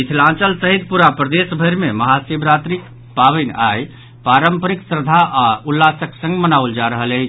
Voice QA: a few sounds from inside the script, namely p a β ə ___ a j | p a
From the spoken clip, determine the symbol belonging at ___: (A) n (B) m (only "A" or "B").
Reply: A